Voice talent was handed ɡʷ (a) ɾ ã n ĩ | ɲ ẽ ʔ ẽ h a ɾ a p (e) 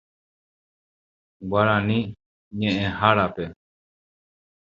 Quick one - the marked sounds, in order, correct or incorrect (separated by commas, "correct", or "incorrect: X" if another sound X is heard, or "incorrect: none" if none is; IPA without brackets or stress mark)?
correct, correct